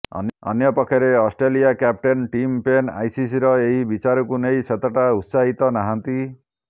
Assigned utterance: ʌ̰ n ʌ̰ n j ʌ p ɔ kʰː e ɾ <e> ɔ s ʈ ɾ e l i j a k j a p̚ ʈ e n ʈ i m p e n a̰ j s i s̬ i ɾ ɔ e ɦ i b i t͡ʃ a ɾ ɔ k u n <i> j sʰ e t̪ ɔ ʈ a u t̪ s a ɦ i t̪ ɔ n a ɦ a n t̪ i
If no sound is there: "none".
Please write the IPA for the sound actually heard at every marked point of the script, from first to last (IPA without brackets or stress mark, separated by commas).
e, e